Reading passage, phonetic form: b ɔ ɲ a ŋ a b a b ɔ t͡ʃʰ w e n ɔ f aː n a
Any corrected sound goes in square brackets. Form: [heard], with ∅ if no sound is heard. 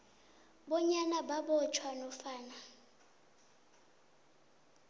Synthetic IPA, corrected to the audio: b ɔ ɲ a [n] a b a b ɔ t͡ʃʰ w [a] n ɔ f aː n a